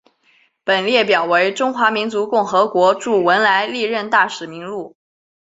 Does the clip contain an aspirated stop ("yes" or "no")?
no